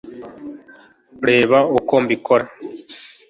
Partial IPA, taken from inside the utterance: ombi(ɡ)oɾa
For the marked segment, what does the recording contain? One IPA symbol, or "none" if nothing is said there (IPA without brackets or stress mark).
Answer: k